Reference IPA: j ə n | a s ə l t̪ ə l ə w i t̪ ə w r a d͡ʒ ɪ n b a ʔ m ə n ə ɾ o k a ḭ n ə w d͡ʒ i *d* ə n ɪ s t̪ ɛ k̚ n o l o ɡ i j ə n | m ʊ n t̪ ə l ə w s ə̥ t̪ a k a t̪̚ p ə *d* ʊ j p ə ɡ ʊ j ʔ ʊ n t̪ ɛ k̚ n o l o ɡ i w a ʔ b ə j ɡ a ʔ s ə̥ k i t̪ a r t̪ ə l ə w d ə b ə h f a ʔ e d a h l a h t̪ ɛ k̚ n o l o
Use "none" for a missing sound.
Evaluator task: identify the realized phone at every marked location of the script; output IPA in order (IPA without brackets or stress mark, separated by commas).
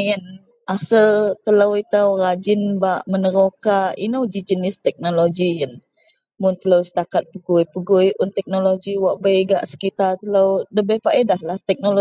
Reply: d͡ʒ, ɡ